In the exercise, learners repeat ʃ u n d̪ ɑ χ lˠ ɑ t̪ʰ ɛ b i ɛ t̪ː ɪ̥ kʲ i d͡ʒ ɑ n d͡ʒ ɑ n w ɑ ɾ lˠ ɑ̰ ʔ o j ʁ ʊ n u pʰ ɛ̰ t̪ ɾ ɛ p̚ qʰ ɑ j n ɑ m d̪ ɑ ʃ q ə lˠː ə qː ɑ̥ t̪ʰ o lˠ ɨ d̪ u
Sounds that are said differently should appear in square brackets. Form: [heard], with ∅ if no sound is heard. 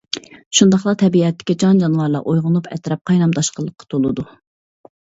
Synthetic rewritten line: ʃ u n d̪ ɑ χ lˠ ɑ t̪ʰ ɛ b i ɛ t̪ː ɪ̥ kʲ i d͡ʒ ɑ n d͡ʒ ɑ n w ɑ ɾ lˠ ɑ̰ ʔ o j ʁ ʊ n u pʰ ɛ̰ t̪ ɾ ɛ p̚ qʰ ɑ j n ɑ m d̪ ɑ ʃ q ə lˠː ə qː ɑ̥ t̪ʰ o lˠ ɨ d̪ u